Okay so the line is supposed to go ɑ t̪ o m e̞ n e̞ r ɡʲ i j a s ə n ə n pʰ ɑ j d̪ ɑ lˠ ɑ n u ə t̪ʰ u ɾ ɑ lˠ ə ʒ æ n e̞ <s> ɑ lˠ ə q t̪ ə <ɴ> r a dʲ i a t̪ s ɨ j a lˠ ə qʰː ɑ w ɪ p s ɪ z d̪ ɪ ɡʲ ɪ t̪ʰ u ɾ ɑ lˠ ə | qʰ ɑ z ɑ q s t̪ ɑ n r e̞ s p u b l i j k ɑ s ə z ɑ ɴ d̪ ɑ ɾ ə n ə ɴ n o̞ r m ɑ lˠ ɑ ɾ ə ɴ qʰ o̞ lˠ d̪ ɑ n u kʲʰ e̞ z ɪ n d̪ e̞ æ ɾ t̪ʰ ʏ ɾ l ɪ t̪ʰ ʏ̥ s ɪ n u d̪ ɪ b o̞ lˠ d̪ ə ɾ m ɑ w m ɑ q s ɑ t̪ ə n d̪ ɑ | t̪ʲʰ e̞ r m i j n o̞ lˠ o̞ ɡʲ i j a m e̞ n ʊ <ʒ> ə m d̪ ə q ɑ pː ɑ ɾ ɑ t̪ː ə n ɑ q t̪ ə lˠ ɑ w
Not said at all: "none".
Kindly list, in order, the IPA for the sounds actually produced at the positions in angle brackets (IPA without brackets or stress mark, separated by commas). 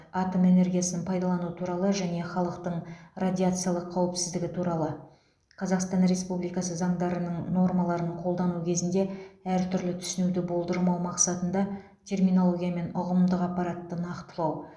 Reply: χ, ɴ, ʁ